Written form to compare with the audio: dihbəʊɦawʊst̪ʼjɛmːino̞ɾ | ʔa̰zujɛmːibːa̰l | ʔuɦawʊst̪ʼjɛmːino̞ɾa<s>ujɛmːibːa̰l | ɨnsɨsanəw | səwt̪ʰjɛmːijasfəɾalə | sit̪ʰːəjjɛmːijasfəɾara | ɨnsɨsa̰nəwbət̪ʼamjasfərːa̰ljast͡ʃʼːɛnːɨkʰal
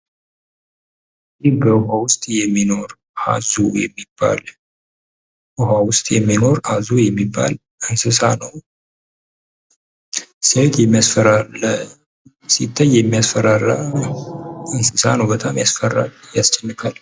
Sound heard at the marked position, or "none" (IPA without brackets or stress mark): z